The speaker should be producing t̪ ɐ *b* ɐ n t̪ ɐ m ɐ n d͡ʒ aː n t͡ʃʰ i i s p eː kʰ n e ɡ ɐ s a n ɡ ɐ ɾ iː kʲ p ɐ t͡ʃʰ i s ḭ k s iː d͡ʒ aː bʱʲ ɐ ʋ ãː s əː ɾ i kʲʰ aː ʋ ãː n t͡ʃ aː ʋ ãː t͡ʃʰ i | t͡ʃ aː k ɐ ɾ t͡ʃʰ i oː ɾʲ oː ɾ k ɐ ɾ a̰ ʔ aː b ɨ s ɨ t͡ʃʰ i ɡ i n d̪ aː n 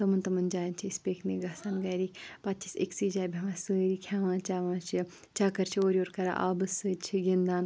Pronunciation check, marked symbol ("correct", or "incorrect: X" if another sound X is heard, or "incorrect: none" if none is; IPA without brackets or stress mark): incorrect: m